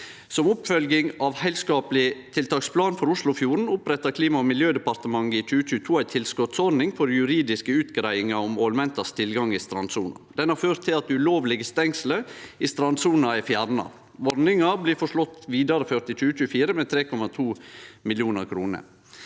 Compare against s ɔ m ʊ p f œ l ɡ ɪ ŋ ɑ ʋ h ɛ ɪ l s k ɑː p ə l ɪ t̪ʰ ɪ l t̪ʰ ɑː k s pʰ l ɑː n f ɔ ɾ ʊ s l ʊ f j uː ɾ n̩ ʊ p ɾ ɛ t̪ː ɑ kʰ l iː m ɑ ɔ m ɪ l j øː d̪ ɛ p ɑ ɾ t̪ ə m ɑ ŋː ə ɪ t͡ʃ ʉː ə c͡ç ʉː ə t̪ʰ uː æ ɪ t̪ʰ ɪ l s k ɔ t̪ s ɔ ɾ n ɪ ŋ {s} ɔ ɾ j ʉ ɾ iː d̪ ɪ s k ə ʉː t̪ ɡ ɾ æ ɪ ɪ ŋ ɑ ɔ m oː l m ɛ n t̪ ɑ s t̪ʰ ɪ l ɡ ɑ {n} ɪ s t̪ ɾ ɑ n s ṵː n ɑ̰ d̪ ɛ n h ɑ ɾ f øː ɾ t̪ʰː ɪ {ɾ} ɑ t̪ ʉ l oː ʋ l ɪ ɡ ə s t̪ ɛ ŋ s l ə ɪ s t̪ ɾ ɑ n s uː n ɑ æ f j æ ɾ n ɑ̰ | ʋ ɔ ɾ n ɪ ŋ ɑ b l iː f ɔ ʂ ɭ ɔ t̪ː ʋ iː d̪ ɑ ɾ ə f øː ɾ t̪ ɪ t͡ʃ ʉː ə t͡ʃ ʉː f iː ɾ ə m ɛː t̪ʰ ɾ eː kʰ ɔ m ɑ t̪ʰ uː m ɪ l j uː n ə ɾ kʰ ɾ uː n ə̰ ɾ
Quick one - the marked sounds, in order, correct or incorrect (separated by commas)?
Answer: incorrect, incorrect, incorrect